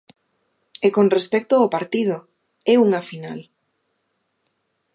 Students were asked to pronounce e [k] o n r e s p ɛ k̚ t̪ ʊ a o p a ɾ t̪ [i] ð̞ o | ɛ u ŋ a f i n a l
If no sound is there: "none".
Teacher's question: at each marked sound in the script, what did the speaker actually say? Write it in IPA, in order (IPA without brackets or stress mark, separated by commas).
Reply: k, i